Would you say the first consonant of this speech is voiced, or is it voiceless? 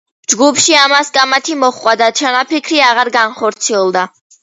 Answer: voiced